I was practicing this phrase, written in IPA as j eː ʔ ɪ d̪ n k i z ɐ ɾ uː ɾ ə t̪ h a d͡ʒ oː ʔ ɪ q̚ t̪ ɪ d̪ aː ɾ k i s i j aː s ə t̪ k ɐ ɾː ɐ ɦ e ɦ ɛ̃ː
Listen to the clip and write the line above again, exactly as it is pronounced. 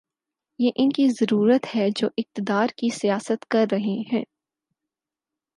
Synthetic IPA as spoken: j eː ʔ ɪ n k i z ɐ ɾ uː ɾ ə t̪ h ɛ d͡ʒ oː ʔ ɪ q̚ t̪ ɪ d̪ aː ɾ k i s i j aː s ə t̪ k ɐ ɾː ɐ ɦ e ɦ ɛ̃ː